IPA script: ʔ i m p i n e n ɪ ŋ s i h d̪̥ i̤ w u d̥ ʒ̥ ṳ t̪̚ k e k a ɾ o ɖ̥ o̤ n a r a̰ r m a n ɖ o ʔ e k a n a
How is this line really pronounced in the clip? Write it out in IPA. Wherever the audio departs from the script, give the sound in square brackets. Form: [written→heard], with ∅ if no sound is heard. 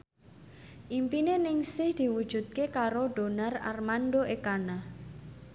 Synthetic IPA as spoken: ʔ i m p i n e n ɪ ŋ s [i→ɪ] h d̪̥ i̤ w u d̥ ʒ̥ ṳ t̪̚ k e k a ɾ o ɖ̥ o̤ n a r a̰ r m a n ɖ o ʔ e k a n a

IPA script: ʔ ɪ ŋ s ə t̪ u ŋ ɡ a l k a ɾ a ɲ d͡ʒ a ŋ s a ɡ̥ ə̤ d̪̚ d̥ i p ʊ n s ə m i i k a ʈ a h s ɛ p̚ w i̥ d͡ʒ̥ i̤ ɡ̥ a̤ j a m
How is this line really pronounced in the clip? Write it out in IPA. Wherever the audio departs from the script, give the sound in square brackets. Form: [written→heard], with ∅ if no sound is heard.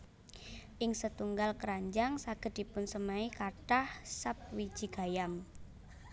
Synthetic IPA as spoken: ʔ ɪ ŋ s ə t̪ u ŋ ɡ a l k [a→ə] ɾ a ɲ d͡ʒ a ŋ s a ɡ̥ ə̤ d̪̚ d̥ i p ʊ n s ə m [i→a] i k a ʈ a h s [ɛ→a] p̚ w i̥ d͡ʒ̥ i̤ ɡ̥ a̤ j a m

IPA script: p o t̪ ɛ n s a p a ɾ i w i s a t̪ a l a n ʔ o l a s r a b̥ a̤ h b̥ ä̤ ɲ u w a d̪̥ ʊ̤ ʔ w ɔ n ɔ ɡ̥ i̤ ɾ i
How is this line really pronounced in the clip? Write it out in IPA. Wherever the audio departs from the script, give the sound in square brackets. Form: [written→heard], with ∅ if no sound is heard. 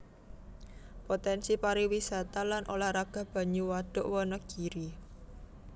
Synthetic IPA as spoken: p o t̪ ɛ n s [a→i] p a ɾ i w i s a t̪ a l a n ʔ o l a [s→h] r a [b̥→ɡ̥] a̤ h b̥ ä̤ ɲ u w a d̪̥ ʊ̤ ʔ w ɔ n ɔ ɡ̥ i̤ ɾ i

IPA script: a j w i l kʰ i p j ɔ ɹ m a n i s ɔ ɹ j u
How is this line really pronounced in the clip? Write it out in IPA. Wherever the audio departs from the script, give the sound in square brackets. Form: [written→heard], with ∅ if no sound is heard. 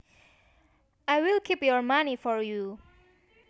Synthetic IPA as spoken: a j w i l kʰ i p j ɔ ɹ m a n i [s→f] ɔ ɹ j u

